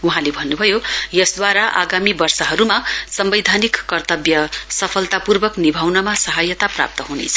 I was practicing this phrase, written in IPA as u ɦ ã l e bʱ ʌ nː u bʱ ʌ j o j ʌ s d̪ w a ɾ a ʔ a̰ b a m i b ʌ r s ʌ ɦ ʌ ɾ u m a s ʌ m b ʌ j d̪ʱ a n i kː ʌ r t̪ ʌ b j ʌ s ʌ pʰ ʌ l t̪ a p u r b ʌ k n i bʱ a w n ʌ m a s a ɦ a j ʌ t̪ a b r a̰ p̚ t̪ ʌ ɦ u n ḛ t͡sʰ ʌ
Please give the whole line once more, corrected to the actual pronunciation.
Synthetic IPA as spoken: u ɦ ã l e bʱ ʌ nː u bʱ ʌ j o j ʌ s d̪ w a ɾ a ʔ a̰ ɡ a m i b ʌ r s ʌ ɦ ʌ ɾ u m a s ʌ m b ʌ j d̪ʱ a n i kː ʌ r t̪ ʌ b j ʌ s ʌ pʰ ʌ l t̪ a p u r b ʌ k n i bʱ a w n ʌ m a s ʌ ɦ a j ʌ t̪ a p r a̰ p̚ t̪ ʌ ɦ u n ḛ t͡sʰ ʌ

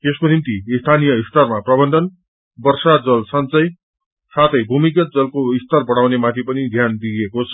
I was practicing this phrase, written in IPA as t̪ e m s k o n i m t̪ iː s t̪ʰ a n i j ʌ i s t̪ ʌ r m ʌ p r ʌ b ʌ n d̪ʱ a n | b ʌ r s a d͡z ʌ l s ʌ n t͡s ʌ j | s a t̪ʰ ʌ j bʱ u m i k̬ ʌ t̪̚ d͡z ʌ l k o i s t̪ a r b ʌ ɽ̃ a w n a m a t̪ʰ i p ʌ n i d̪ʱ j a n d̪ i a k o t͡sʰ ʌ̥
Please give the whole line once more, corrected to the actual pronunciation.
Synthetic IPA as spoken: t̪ e s k o n i m t̪ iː s t̪ʰ a n i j ʌ i s t̪ ʌ r m a p r ʌ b ʌ n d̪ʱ ʌ n | b ʌ r s a d͡z ʌ l s ʌ n t͡s ʌ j | s a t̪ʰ ʌ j bʱ u m i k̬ ʌ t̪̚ d͡z ʌ l k o i s t̪ ʌ r b ʌ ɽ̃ a w n e m a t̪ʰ i p ʌ n i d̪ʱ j a n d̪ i e k o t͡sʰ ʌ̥

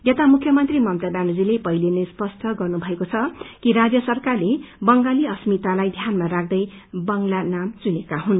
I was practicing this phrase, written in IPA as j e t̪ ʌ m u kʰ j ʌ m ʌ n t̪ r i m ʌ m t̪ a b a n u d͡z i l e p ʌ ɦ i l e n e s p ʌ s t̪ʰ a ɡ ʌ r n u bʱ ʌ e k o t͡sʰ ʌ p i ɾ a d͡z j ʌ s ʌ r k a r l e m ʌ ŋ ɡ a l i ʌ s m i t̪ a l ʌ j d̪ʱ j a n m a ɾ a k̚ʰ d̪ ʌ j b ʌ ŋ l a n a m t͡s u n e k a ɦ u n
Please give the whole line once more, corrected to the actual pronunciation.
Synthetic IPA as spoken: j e t̪ a m u kʰ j ʌ m ʌ n t̪ r i m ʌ m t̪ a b a n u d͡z i l e p ʌ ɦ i l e n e s p ʌ s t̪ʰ ʌ ɡ ʌ r n u bʱ ʌ e k o t͡sʰ ʌ k i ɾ a d͡z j ʌ s ʌ r k a r l e b ʌ ŋ ɡ a l i ʌ s m i t̪ a l a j d̪ʱ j a n m a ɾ a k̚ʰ d̪ ʌ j b ʌ ŋ l a n a m t͡s u n e k a ɦ u n

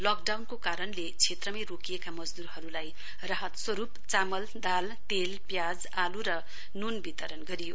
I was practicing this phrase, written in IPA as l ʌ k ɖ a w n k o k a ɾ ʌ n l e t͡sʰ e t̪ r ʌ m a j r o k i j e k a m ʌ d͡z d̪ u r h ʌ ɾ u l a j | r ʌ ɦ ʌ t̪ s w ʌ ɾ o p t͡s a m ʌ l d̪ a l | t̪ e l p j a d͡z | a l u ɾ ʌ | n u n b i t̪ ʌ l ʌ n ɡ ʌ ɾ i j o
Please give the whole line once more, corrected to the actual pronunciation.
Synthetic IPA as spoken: l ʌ k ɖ a w n k o k a ɾ ʌ n l e t͡sʰ e t̪ r ʌ m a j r o k i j e k a m ʌ d͡z d̪ u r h ʌ ɾ u l a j | r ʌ ɦ ʌ t̪ s w ʌ ɾ u p t͡s a m ʌ l d̪ a l | t̪ e l p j a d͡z | a l u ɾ ʌ | n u n b i t̪ ʌ ɾ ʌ n ɡ ʌ ɾ i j o

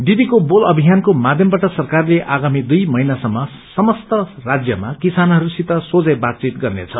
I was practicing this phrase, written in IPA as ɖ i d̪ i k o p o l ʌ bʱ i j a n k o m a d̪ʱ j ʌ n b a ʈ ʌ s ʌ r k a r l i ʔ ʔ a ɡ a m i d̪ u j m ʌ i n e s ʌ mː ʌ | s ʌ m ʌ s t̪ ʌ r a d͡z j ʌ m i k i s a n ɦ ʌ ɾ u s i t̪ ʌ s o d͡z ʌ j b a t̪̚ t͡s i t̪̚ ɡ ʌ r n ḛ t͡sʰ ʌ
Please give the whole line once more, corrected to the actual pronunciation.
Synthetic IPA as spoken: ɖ i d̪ i k o b o l ʌ bʱ i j a n k o m a d̪ʱ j ʌ m b a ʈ ʌ s ʌ r k a r l e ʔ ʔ a ɡ a m i d̪ u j m ʌ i n a s ʌ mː ʌ | s ʌ m ʌ s t̪ ʌ r a d͡z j ʌ m a k i s a n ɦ ʌ ɾ u s i t̪ ʌ s o d͡z ʌ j b a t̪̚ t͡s i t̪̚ ɡ ʌ r n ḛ t͡sʰ ʌ

